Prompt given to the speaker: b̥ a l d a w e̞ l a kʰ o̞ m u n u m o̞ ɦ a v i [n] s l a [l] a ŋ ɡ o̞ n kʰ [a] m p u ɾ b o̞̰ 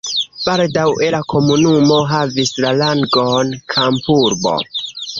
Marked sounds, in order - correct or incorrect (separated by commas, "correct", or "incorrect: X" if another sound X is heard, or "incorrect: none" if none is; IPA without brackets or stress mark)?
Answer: incorrect: none, correct, correct